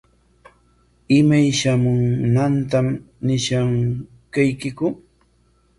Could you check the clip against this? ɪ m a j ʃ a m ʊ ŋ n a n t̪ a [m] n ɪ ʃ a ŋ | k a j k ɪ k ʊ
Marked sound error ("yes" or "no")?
no